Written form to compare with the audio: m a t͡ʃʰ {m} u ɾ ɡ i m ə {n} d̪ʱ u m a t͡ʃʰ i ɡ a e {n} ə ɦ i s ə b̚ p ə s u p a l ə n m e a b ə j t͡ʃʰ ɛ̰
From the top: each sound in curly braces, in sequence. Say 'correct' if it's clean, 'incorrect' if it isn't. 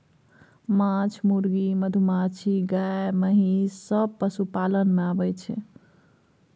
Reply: correct, incorrect: none, incorrect: m

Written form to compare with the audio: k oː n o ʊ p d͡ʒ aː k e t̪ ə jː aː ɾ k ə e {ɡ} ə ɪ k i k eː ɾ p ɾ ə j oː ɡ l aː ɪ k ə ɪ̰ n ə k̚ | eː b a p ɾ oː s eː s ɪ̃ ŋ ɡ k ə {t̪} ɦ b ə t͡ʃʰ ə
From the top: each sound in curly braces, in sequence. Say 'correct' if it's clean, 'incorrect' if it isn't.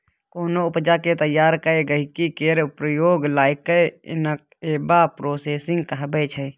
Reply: correct, incorrect: none

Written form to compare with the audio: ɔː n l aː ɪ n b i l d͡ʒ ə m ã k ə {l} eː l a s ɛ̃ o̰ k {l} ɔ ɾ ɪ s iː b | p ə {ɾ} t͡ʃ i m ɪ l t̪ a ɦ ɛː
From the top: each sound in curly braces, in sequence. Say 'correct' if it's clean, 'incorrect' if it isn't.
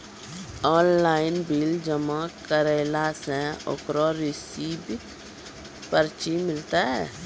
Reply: incorrect: ɾ, incorrect: ɾ, correct

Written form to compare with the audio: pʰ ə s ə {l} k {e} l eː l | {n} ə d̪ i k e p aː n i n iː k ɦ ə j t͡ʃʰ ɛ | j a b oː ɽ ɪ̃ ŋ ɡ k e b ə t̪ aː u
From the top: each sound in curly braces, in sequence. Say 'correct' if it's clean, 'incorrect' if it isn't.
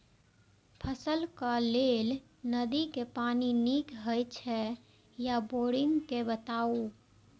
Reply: correct, incorrect: a, correct

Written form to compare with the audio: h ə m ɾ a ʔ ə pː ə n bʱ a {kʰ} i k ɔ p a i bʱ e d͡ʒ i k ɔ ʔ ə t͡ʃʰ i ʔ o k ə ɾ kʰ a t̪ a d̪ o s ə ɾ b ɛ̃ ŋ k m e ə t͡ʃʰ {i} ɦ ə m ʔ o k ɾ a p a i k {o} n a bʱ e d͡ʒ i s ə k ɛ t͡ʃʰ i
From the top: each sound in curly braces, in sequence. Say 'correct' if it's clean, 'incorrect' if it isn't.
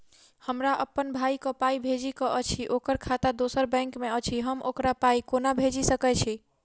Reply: incorrect: none, correct, correct

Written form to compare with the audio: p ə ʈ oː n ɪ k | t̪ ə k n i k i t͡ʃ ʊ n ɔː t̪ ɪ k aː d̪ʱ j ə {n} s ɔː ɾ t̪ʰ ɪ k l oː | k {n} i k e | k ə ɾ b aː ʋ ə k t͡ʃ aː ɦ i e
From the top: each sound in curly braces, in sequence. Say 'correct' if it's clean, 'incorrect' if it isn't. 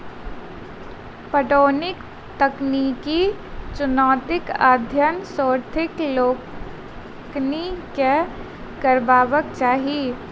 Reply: correct, correct

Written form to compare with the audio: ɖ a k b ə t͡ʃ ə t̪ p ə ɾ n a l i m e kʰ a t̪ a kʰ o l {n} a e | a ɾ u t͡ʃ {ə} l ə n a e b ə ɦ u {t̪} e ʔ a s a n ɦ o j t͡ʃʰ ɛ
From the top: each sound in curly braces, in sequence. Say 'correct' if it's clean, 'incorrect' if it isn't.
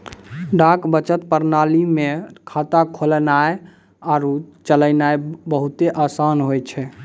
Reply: correct, correct, correct

